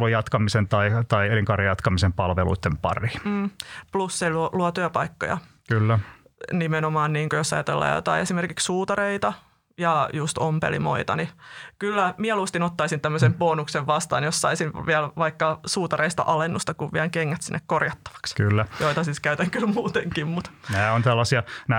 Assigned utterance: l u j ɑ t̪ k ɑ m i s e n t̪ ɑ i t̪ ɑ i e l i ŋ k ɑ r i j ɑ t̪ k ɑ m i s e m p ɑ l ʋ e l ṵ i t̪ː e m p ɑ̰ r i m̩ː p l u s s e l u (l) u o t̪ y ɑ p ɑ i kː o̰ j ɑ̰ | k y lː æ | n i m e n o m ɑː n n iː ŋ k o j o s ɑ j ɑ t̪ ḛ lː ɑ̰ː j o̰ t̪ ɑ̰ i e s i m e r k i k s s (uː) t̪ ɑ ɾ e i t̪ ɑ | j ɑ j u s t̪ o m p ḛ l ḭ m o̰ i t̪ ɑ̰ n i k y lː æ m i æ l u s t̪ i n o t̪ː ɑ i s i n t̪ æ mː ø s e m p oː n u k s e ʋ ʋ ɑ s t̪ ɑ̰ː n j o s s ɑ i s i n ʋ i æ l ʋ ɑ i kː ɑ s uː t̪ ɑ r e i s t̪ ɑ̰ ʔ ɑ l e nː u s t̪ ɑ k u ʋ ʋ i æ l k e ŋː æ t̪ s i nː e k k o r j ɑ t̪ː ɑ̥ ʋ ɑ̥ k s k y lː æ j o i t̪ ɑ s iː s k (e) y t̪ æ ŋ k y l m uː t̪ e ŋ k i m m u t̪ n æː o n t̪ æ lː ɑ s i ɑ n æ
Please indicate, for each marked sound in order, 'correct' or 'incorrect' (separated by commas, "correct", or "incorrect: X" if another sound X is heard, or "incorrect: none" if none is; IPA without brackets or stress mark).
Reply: correct, correct, incorrect: æ